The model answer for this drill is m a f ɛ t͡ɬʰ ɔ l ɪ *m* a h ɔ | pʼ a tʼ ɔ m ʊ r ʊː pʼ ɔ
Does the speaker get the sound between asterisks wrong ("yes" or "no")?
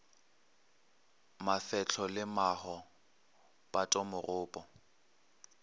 no